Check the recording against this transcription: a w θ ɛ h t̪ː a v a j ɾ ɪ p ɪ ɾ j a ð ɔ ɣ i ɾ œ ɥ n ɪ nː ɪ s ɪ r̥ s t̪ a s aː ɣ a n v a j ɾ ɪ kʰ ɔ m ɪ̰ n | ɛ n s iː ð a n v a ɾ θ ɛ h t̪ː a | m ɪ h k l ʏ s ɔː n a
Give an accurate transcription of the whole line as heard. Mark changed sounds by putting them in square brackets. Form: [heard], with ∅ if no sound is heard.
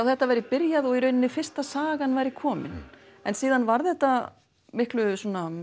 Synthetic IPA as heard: a w θ ɛ h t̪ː a v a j ɾ ɪ p ɪ ɾ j a ð ɔ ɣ i ɾ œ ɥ n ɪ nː ɪ [f] ɪ r̥ s t̪ a s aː ɣ a n v a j ɾ ɪ kʰ [ɔː] m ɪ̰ n | ɛ n s iː ð a n v a ɾ θ ɛ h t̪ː a | m ɪ h k l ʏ s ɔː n a